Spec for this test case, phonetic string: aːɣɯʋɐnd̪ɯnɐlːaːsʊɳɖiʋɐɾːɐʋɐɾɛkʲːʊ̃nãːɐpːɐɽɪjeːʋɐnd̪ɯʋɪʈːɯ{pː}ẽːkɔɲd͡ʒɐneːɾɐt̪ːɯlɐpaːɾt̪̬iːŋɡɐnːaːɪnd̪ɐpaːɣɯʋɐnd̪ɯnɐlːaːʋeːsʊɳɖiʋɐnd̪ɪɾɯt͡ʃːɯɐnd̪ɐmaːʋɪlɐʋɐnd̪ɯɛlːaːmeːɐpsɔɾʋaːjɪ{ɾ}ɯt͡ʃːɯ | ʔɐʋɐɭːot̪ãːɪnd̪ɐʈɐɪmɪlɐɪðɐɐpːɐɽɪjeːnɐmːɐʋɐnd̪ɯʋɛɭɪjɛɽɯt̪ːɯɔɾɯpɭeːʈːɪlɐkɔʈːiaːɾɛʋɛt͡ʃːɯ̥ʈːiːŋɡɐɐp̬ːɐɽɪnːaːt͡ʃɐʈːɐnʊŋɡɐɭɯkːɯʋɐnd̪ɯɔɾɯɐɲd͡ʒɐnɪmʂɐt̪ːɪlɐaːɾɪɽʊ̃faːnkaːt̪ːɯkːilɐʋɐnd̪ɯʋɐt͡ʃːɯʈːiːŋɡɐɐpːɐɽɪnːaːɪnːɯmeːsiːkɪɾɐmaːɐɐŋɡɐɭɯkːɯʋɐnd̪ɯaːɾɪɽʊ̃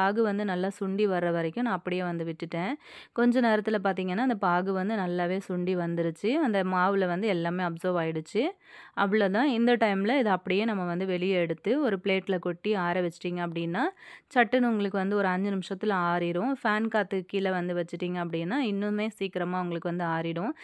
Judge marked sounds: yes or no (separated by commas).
no, no